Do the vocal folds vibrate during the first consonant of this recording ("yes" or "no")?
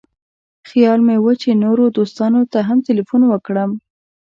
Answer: no